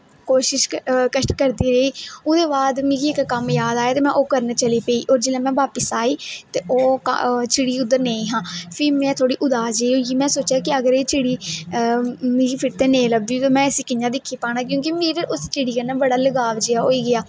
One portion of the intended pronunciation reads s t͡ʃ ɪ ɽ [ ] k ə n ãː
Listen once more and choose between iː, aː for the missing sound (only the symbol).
iː